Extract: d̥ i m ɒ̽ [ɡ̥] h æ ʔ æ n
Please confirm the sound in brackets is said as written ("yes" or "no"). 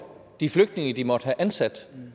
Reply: no